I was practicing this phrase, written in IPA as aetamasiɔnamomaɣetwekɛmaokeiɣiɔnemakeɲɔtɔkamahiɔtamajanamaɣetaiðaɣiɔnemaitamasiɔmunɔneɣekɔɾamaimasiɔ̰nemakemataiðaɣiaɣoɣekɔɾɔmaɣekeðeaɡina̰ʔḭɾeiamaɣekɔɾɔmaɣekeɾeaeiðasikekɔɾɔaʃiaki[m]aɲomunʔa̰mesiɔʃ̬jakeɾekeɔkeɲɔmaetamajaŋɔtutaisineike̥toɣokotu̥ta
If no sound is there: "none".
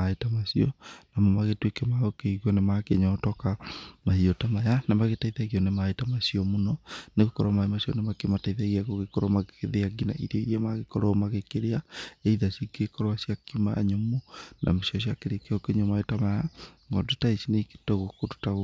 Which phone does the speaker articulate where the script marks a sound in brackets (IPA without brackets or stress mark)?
m